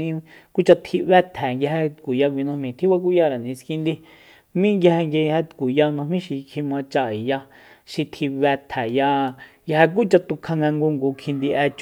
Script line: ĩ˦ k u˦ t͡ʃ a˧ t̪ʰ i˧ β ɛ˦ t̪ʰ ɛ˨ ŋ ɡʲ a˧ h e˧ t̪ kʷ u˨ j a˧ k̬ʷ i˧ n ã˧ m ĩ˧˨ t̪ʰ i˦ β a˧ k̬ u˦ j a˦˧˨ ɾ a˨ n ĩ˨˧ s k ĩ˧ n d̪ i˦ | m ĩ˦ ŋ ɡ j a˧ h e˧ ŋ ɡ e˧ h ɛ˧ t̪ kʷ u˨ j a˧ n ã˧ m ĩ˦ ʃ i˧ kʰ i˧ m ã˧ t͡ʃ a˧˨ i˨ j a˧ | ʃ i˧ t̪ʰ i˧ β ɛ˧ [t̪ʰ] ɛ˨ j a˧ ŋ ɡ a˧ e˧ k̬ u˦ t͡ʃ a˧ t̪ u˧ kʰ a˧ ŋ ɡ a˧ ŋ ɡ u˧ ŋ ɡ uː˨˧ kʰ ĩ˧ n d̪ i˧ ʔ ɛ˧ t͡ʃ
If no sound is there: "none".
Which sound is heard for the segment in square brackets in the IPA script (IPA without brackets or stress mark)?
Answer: t̪ʰ